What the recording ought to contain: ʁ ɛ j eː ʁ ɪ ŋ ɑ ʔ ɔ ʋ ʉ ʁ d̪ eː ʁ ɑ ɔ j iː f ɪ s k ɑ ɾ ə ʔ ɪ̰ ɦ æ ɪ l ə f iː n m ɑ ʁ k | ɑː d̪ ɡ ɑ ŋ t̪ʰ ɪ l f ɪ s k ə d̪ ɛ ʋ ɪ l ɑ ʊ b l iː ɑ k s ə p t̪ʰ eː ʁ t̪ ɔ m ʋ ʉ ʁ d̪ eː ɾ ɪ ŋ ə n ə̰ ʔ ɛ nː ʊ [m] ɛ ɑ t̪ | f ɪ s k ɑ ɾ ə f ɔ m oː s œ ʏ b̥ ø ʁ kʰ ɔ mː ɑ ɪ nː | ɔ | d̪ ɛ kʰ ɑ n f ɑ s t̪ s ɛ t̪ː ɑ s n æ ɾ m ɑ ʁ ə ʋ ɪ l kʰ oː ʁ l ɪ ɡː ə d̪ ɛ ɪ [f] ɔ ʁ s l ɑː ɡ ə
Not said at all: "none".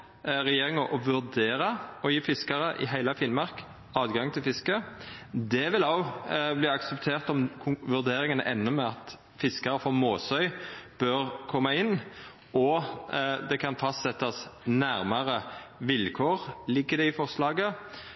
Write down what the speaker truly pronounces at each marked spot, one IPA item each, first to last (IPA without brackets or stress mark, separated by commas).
m, f